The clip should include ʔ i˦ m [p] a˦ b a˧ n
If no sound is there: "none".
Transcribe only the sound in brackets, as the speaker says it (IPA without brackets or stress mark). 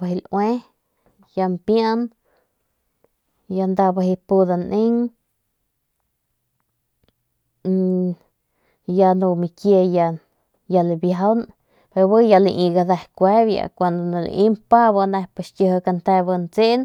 p